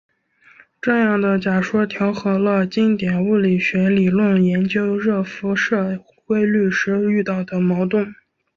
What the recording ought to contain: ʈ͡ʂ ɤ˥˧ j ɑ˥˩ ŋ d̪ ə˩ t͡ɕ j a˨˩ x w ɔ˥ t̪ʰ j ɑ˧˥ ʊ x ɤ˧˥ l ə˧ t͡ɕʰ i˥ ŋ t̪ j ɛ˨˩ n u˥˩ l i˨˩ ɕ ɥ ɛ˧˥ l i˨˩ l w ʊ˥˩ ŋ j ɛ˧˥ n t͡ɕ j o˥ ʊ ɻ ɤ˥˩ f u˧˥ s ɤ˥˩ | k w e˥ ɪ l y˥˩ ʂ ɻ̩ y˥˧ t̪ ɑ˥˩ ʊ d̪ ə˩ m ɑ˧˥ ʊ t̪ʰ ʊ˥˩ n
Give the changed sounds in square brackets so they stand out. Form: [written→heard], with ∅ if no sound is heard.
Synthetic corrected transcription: ʈ͡ʂ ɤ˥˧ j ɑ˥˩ ŋ d̪ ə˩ t͡ɕ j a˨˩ [x→ʂ] w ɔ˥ t̪ʰ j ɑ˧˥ ʊ x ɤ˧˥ l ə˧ [t͡ɕʰ→t͡ɕ] i˥ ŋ t̪ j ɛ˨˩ n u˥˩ l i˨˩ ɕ ɥ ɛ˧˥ l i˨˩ l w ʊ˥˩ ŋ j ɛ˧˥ n t͡ɕ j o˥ ʊ ɻ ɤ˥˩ f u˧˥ [s→ʂ] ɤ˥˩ | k w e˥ ɪ l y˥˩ ʂ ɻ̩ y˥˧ t̪ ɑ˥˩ ʊ d̪ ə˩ m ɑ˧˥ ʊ [t̪ʰ→t̪] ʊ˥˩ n

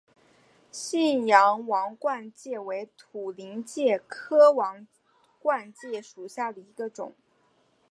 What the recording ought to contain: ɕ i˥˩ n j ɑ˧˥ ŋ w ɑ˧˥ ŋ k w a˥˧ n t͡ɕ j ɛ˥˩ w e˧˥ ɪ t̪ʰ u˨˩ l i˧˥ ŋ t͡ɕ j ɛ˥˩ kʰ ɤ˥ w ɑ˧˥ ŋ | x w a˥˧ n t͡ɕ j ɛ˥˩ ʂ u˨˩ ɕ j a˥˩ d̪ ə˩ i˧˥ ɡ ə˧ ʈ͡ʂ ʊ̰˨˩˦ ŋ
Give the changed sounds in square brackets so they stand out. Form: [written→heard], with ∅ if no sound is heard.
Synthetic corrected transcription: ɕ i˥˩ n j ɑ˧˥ ŋ w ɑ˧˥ ŋ k w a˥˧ n t͡ɕ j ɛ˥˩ w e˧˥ ɪ t̪ʰ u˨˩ l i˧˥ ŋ t͡ɕ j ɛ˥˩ kʰ ɤ˥ w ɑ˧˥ ŋ | [x→k] w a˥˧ n t͡ɕ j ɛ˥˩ ʂ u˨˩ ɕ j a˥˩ d̪ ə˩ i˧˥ ɡ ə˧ ʈ͡ʂ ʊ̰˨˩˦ ŋ

